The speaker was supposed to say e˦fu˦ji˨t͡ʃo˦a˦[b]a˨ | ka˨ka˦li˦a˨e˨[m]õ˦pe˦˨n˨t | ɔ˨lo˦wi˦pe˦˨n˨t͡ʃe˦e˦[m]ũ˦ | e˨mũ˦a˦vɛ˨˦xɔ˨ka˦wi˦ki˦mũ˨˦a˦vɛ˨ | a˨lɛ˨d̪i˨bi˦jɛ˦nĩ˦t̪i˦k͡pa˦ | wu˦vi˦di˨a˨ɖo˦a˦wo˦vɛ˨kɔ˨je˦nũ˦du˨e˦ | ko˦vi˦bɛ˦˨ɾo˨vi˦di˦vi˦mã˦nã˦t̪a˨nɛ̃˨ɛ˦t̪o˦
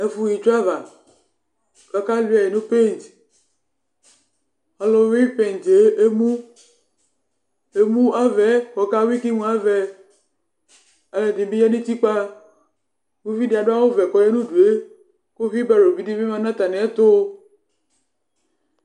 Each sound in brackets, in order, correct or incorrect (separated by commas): incorrect, incorrect, correct